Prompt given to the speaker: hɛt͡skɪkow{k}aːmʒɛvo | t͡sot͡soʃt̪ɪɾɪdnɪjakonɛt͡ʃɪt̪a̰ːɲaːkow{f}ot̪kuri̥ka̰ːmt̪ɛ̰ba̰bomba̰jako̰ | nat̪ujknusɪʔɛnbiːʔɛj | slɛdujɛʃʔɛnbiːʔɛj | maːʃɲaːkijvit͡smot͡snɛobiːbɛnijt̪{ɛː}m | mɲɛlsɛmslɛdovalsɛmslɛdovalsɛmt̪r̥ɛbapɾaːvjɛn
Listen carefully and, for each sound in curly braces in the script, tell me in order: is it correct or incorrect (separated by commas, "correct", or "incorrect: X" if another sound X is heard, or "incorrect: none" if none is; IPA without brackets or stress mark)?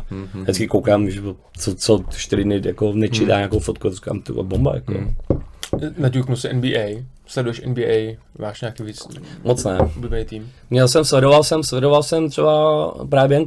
correct, correct, incorrect: iː